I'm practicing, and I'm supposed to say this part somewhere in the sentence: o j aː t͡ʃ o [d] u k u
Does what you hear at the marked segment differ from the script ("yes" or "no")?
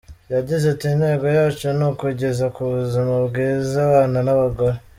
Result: yes